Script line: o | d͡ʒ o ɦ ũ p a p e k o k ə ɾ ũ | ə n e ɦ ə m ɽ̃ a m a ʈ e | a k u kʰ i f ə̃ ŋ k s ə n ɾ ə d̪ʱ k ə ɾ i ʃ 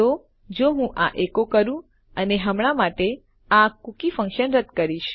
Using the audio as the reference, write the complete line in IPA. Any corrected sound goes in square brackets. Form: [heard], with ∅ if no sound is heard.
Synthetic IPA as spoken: o | d͡ʒ o ɦ ũ [ʔ] a [ʔ] e k o k ə ɾ ũ | ə n e ɦ ə m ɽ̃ a m a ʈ e | a k u [k] i f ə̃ ŋ k [ʃ] ə n ɾ ə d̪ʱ k ə ɾ i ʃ